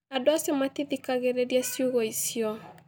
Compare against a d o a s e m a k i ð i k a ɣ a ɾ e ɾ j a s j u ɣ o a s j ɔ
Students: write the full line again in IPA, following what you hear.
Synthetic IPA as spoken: a d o a s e m a t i ð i k a ɣ e ɾ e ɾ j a s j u ɣ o i s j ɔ